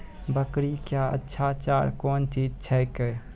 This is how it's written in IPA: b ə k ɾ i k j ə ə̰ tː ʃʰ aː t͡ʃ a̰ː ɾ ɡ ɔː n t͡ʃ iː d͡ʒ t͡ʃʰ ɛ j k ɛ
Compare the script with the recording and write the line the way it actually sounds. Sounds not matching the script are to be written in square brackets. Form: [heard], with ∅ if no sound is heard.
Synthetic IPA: b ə k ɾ i k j [a] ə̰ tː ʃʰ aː t͡ʃ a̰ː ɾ [k] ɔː n t͡ʃ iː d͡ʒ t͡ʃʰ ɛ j k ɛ